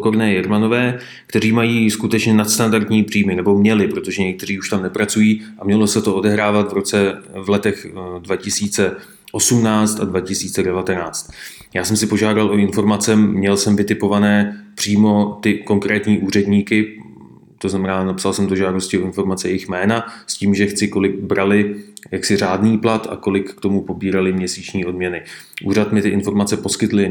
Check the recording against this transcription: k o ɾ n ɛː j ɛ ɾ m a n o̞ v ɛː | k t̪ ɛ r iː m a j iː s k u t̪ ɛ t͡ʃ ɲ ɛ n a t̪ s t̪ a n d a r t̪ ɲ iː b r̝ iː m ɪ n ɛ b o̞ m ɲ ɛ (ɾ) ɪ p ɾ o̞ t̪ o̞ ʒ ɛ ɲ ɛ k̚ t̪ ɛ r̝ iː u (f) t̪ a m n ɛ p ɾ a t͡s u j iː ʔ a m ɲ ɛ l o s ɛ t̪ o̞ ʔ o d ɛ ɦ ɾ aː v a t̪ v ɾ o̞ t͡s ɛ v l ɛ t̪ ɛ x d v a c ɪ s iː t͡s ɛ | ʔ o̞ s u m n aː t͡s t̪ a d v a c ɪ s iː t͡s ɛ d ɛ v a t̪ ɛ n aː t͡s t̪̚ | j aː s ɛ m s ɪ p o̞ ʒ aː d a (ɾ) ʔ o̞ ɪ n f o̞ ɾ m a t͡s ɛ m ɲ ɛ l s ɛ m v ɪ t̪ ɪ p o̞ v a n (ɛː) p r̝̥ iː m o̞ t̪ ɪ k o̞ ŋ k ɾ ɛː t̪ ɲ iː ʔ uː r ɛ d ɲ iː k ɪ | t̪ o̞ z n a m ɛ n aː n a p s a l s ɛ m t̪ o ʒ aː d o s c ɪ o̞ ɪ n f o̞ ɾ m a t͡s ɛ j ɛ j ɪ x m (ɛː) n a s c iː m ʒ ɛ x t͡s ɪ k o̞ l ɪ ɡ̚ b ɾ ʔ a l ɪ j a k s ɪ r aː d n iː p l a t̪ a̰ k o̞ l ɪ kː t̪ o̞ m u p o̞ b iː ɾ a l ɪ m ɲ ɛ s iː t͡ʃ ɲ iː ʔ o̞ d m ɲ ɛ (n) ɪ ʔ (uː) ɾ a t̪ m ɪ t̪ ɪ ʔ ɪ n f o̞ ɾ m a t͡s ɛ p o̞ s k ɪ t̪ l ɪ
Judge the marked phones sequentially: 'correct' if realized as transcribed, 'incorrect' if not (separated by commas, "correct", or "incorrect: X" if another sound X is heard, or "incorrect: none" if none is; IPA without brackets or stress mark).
incorrect: l, incorrect: ʃ, incorrect: l, correct, correct, correct, correct